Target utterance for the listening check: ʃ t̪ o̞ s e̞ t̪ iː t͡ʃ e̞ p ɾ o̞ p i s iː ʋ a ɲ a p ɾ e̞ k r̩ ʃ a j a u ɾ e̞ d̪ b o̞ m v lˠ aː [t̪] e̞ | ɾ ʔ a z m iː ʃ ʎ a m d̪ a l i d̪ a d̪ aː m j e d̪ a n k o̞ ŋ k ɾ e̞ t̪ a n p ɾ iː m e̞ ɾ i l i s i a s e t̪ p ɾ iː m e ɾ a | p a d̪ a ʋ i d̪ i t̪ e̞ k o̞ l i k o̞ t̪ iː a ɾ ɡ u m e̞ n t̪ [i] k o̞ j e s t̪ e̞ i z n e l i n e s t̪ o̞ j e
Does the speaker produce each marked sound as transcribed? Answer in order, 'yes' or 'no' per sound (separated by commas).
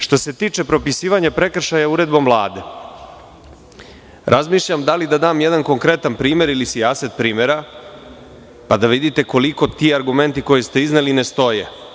no, yes